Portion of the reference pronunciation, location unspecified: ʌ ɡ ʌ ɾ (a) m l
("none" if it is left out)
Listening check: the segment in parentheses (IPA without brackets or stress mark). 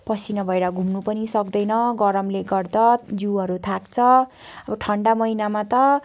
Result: ʌ